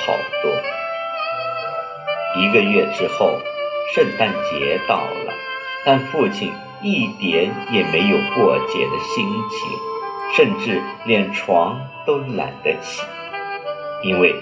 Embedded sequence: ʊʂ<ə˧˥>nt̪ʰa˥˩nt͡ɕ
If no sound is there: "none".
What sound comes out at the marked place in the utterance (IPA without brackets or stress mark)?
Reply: ə˥˧